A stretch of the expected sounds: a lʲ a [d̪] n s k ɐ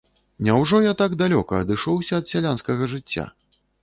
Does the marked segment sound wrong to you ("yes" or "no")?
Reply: yes